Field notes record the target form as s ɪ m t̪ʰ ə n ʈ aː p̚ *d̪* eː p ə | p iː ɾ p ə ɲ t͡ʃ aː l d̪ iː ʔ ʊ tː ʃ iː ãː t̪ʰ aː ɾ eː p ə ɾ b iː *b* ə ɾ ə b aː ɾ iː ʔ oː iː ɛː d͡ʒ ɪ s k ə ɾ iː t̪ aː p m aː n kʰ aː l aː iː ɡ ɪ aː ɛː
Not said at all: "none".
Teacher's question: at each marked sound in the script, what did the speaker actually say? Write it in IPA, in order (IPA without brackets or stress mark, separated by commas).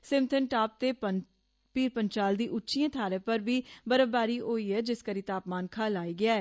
t̪, b